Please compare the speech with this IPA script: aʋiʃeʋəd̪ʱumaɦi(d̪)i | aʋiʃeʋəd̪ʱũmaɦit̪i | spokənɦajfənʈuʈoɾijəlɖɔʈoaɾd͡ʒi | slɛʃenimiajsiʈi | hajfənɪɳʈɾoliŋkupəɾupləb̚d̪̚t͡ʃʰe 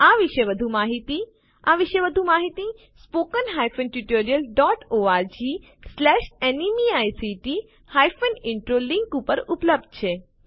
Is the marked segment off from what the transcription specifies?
yes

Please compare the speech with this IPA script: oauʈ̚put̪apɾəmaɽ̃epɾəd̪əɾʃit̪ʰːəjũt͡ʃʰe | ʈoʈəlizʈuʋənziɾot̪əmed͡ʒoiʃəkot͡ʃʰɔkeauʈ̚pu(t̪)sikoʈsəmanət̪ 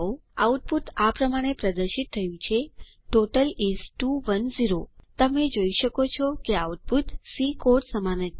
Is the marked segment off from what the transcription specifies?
no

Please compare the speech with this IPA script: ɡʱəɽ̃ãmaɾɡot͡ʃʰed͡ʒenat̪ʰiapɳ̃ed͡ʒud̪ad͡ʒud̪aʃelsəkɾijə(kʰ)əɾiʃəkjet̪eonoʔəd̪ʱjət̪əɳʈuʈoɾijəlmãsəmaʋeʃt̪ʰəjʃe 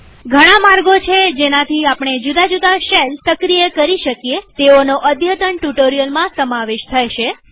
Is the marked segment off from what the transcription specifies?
yes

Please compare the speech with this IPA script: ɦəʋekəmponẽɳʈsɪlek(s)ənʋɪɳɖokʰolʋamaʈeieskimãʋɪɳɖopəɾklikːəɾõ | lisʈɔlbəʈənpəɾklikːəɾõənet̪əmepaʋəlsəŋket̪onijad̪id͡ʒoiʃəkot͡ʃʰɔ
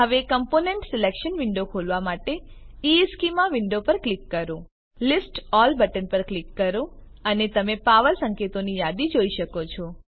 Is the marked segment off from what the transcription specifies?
yes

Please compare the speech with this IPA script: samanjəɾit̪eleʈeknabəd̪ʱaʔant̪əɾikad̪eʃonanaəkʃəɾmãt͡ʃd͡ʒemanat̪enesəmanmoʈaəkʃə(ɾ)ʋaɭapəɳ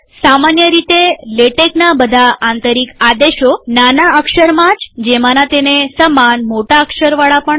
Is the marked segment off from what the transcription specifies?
no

